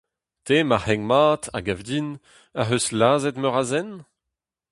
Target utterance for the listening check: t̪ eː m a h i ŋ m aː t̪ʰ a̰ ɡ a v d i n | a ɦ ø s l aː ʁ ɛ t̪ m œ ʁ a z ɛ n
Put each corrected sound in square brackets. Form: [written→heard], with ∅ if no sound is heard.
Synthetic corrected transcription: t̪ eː m a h [i→ɛ] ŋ m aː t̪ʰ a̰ ɡ a v d i n | a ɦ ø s l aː [ʁ→z] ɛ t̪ m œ ʁ a z ɛ n